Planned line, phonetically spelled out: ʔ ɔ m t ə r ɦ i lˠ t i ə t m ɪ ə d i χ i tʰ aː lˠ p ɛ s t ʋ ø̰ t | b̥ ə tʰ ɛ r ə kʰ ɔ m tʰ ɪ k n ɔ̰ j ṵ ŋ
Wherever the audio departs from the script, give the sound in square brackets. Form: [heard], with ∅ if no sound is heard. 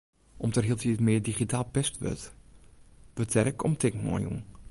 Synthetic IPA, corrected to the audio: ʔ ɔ m t ə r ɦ i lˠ t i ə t m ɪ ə d i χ i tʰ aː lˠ p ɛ s t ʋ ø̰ t | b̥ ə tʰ ɛ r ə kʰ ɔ m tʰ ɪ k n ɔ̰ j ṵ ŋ